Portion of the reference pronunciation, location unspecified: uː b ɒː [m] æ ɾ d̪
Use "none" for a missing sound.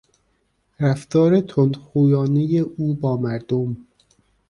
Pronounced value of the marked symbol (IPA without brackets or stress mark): m